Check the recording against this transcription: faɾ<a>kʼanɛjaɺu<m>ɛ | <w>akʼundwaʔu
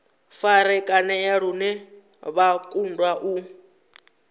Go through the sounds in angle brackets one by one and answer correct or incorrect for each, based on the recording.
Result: incorrect: ɛ, incorrect: n, incorrect: β

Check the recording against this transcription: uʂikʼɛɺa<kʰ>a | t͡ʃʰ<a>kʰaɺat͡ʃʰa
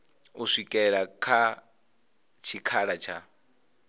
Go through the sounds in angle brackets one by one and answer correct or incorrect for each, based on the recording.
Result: correct, incorrect: i

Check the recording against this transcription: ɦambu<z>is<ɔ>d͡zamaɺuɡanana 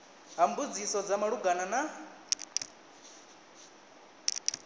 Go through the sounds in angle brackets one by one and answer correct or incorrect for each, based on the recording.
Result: incorrect: d͡z, correct

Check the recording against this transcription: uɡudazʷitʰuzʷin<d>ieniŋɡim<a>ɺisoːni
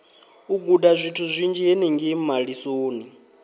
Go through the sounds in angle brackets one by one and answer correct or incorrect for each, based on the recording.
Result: incorrect: d͡ʒ, correct

